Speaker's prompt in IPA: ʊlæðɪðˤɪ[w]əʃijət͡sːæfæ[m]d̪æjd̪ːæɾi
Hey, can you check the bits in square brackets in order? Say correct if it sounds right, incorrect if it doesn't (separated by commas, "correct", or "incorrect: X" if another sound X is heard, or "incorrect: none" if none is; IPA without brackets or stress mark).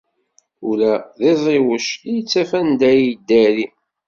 correct, incorrect: n